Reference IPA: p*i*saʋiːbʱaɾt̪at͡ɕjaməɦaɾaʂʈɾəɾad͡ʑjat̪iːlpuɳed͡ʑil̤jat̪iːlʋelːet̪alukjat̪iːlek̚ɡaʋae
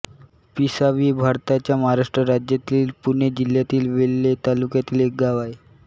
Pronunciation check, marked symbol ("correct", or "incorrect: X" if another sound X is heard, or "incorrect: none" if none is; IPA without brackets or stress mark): correct